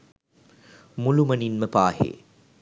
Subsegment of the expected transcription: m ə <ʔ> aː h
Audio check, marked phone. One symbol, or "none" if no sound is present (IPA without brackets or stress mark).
p